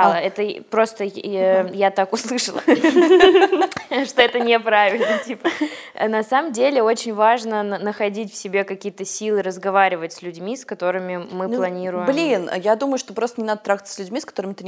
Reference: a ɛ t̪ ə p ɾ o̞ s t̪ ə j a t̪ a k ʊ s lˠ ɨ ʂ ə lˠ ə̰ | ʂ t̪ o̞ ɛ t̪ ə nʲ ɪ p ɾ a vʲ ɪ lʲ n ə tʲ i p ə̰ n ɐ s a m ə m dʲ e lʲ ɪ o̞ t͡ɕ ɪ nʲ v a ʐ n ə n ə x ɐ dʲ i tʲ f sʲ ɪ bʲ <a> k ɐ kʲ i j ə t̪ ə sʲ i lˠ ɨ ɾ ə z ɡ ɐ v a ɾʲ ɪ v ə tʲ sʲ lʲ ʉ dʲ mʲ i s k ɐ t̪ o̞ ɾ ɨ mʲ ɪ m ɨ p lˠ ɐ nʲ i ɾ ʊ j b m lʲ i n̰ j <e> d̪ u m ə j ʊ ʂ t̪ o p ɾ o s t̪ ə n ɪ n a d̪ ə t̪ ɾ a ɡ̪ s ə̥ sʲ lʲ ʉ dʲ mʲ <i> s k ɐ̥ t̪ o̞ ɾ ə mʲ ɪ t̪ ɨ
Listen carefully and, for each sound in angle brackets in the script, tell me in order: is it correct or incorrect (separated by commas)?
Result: incorrect, incorrect, correct